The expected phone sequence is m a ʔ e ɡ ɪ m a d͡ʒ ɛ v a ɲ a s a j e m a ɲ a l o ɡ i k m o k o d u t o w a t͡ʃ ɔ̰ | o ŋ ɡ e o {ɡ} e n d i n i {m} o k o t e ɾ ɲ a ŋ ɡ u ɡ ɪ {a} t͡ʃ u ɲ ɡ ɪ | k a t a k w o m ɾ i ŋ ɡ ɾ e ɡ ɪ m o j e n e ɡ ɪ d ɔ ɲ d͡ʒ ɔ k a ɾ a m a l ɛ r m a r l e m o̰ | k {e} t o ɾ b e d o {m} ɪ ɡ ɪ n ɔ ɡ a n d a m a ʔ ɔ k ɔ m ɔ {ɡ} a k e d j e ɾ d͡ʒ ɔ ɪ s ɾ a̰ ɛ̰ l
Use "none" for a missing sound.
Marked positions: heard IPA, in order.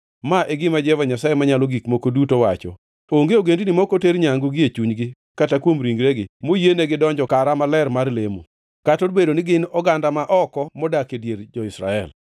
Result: ɡ, m, e, a, n, d

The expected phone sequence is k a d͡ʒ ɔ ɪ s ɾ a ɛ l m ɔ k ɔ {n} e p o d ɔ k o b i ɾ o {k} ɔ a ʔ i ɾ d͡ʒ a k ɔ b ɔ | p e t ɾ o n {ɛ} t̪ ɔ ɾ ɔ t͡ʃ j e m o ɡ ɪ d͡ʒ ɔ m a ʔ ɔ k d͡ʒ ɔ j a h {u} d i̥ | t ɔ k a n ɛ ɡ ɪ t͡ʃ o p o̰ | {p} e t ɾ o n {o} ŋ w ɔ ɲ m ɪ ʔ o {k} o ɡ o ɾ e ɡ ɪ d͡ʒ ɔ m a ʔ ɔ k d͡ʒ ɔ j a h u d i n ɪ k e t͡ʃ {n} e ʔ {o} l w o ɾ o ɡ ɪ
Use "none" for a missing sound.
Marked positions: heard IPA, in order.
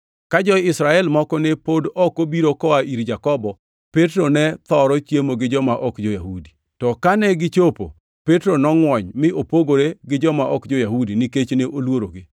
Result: n, k, ɛ, u, p, ɔ, p, n, o

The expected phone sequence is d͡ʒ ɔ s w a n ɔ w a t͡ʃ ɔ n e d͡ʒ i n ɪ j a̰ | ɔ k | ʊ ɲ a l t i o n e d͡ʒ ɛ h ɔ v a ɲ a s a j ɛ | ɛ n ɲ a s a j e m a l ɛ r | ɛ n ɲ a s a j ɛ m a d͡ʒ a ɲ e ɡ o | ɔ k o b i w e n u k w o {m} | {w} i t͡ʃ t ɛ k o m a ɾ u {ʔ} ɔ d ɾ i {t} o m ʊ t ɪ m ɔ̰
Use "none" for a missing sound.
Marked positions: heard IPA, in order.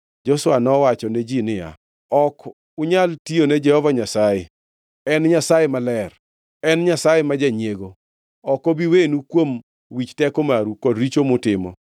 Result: m, w, k, t͡ʃ

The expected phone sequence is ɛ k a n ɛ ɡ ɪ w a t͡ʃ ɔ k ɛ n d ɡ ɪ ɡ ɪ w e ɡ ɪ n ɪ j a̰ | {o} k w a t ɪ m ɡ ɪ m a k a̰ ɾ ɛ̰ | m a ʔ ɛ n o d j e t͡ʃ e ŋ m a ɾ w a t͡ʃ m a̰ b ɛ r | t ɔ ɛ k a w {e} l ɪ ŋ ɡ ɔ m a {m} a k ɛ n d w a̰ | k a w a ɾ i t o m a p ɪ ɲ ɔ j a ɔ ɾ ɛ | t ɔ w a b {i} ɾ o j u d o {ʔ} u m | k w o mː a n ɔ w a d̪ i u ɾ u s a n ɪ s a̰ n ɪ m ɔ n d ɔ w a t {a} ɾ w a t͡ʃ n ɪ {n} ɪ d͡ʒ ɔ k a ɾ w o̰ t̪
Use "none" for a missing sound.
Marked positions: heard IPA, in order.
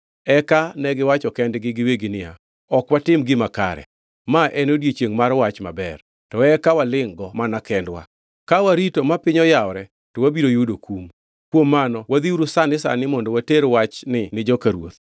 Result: ɔ, a, n, i, k, e, n

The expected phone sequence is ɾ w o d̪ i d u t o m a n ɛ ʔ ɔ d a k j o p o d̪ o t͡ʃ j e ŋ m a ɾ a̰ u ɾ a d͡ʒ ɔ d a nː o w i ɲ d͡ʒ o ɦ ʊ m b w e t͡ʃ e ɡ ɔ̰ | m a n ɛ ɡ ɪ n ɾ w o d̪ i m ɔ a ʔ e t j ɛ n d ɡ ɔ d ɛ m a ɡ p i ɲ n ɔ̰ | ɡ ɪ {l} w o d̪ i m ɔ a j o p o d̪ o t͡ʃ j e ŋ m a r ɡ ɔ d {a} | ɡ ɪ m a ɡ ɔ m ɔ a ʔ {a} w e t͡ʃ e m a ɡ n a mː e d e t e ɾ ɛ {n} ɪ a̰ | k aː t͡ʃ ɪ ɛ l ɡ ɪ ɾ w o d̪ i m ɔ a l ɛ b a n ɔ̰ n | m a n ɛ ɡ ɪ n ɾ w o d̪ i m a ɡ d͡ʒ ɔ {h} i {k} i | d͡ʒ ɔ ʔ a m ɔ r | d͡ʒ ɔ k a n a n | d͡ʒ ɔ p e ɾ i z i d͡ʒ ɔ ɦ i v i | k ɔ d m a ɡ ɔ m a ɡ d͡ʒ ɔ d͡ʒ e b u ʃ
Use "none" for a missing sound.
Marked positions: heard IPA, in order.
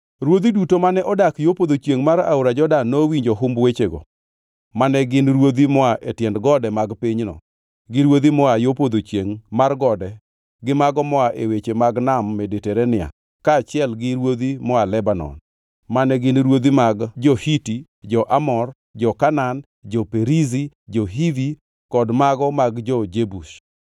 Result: ɾ, ɛ, e, n, h, t

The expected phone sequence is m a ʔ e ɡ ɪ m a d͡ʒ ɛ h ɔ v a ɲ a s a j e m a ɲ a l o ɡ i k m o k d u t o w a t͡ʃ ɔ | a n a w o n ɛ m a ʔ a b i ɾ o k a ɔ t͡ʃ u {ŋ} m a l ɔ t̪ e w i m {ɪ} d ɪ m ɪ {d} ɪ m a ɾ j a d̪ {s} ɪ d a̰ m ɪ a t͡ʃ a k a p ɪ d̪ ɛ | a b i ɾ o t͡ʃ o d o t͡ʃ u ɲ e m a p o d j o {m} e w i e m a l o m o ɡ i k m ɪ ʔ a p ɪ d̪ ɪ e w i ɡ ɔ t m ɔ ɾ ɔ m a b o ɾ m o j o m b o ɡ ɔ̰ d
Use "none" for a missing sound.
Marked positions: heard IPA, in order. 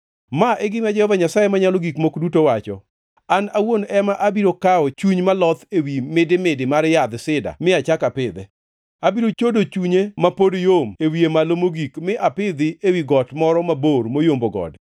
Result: ɲ, ɪ, d, s, m

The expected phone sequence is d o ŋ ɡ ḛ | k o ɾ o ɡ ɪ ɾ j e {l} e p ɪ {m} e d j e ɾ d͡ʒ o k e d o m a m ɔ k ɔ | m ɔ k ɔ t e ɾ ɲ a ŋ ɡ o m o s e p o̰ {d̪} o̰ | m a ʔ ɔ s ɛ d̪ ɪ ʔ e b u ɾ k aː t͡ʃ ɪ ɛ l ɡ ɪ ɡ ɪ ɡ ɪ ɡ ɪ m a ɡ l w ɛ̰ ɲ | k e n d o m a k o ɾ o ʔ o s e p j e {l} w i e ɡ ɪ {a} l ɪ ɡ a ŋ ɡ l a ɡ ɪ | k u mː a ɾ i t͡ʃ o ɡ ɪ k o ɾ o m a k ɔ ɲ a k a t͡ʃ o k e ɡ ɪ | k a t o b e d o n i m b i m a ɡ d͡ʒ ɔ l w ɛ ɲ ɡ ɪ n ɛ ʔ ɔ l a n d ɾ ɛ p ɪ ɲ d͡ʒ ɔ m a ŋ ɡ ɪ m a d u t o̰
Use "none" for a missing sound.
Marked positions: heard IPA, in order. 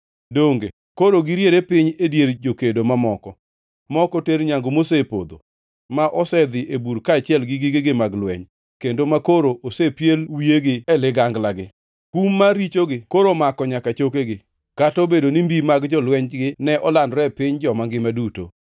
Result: ɾ, ɲ, d̪, l, ɛ

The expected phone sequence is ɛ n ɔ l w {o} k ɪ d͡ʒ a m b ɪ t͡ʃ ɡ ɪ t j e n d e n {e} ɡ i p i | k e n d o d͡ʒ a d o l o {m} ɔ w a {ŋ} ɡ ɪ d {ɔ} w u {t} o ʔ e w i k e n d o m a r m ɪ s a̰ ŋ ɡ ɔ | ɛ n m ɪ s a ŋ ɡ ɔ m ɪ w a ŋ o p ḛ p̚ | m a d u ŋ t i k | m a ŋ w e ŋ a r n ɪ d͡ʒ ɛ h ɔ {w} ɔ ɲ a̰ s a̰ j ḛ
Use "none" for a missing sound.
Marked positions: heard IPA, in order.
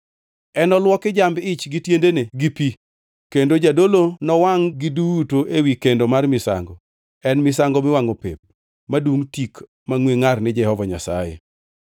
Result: ɔ, e, n, ŋ, u, t, v

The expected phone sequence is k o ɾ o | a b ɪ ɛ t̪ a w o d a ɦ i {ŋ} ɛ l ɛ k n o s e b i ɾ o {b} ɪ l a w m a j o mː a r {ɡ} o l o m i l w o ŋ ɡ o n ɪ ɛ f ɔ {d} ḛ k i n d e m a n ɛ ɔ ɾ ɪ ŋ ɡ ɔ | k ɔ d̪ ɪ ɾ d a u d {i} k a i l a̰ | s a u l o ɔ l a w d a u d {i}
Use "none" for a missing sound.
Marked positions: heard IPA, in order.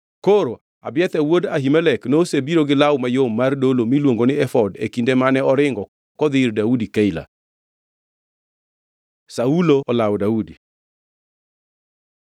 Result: m, ɡ, d, d, i, i

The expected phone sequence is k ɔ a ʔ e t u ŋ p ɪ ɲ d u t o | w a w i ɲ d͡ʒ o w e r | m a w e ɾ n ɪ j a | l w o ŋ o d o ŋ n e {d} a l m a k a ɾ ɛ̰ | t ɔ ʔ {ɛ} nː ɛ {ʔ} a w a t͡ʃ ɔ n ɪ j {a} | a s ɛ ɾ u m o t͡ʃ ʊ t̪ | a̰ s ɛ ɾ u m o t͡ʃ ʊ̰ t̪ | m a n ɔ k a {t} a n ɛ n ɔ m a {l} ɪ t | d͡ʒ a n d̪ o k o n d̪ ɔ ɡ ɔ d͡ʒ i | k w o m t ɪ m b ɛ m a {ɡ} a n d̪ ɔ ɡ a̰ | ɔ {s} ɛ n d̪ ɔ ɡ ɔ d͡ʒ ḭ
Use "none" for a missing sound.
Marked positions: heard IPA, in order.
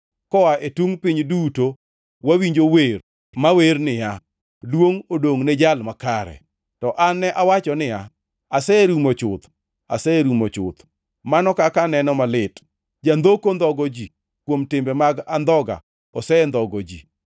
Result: d͡ʒ, a, ʔ, a, k, l, ɡ, s

